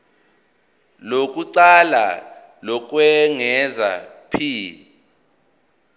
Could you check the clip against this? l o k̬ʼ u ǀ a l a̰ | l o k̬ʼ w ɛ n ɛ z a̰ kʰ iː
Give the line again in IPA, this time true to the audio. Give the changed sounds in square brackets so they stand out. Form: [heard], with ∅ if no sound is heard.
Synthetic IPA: l o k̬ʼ u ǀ a l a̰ | l [ɔ] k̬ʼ w ɛ [ŋ] ɛ z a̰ [pʰ] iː